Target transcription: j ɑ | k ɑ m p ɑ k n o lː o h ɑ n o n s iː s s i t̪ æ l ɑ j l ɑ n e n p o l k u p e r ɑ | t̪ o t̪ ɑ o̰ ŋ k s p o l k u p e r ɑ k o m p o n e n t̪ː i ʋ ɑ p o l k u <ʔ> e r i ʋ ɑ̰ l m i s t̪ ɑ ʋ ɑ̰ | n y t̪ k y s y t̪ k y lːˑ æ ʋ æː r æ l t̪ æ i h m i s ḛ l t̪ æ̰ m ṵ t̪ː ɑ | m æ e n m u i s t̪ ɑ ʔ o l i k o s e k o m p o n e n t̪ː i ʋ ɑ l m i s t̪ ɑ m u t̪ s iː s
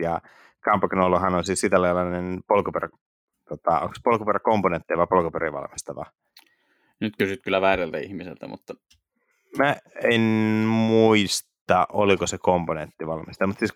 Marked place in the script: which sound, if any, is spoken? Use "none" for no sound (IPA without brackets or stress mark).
p